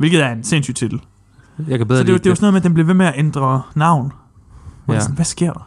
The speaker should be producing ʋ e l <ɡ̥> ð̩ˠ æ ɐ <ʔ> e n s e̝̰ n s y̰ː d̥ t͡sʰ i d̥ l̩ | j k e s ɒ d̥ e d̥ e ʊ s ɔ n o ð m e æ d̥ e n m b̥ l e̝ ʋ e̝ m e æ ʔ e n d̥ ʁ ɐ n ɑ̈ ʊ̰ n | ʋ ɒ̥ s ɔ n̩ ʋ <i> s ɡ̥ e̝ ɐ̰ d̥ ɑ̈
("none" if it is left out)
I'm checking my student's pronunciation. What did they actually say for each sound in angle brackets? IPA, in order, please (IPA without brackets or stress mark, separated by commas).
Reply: ɡ̥, none, æ